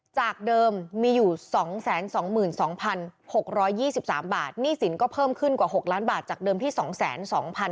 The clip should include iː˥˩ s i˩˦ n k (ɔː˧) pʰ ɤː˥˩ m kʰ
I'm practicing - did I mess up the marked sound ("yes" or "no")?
yes